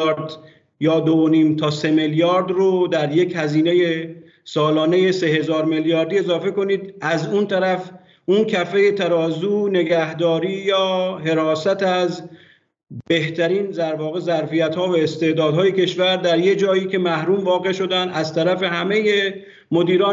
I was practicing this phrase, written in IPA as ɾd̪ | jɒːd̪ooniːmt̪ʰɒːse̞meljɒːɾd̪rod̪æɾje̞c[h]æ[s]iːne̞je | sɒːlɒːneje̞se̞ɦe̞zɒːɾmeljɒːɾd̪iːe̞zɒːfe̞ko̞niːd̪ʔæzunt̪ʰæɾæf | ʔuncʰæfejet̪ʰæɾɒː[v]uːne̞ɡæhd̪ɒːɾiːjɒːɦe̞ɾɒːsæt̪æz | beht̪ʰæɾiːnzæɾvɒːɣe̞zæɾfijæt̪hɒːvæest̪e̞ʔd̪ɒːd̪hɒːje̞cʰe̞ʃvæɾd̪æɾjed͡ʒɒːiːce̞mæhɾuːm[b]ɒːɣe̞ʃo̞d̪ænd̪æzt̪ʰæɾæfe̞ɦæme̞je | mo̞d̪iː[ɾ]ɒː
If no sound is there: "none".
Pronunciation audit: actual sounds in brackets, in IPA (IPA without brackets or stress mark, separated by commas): h, z, z, v, ɾ